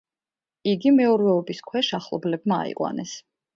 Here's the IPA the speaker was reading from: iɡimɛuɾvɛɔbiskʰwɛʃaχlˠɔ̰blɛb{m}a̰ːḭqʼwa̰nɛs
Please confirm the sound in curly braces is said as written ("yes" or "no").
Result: yes